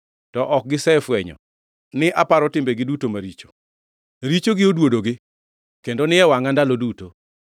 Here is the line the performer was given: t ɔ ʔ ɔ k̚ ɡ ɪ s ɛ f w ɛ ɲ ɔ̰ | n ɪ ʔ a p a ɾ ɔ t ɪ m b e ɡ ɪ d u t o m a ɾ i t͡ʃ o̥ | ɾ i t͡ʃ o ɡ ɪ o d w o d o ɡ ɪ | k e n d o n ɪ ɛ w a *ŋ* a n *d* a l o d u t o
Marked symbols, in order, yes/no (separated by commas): yes, yes